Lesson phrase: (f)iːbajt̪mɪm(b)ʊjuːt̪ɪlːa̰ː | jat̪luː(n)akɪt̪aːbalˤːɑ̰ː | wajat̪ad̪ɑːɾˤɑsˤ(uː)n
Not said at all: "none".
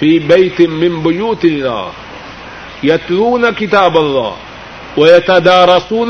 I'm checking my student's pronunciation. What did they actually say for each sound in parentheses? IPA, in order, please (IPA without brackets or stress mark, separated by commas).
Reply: f, b, n, uː